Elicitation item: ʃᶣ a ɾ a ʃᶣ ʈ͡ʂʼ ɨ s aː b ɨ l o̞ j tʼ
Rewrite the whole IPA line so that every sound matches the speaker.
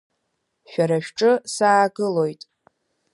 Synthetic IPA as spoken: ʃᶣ a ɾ a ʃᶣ ʈ͡ʂʼ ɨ s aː ɡ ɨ l o̞ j tʼ

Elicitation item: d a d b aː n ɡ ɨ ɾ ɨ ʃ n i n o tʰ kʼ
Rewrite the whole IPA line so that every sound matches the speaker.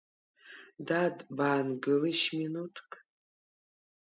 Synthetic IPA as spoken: d a d b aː n ɡ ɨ l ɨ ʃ m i n u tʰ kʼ

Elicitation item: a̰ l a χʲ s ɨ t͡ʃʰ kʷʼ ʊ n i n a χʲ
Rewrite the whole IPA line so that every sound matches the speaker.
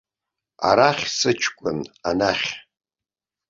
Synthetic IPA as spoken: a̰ ɾ a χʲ s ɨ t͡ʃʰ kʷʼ ʊ n a n a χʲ

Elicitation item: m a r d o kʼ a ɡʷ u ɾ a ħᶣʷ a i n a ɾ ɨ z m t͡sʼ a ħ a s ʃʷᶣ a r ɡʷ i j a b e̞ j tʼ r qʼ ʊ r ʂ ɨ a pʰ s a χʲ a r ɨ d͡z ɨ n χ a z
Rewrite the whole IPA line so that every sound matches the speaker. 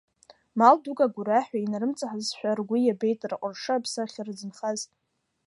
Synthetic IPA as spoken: m a l d u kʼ a ɡʷ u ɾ a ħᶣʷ a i n a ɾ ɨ m t͡sʼ a ħ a z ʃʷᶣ a r ɡʷ i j a b e̞ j tʼ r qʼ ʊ r ʂ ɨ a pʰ s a χʲ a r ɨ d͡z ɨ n χ a z

